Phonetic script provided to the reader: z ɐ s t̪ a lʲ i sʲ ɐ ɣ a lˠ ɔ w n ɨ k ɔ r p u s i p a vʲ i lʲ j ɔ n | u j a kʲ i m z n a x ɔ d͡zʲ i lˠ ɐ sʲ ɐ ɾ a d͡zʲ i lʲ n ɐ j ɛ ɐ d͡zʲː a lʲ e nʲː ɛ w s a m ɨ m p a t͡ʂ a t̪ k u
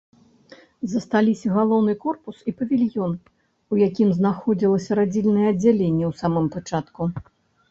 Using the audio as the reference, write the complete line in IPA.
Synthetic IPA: z ɐ s t̪ a lʲ i sʲ ɐ ɣ a lˠ ɔ w n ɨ k ɔ r p u s i p ɐ vʲ i lʲ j ɔ n | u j a kʲ i m z n a x ɔ d͡zʲ i lˠ ɐ sʲ ɐ ɾ a d͡zʲ i lʲ n ɐ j ɛ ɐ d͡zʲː a lʲ e nʲː ɛ w s a m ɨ m p a t͡ʂ a t̪ k u